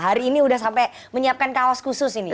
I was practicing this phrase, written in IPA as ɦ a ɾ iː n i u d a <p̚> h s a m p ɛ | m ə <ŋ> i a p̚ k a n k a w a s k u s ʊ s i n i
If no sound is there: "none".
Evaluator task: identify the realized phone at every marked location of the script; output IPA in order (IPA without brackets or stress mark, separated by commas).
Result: none, ɲ